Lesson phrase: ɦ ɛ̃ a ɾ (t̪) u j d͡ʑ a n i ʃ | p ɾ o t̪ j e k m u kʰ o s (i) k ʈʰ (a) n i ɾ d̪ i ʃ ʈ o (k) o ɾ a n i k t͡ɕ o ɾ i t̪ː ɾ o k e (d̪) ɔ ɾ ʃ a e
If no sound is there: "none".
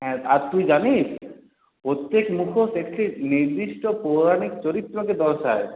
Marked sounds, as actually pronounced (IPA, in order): t̪, e, i, p, d̪

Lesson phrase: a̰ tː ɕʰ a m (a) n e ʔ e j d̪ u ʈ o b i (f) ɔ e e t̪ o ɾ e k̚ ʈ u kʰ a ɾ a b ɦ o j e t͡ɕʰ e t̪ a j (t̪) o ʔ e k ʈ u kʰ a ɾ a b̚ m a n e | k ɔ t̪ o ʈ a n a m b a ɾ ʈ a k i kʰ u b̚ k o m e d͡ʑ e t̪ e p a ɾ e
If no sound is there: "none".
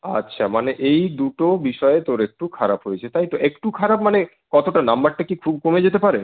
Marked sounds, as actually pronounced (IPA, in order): a, ʃ, t̪

